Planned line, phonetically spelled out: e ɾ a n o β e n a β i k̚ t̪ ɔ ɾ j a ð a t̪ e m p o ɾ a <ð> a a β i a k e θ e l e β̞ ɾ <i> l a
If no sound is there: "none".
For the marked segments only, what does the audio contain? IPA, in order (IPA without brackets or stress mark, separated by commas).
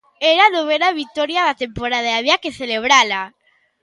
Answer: ð, a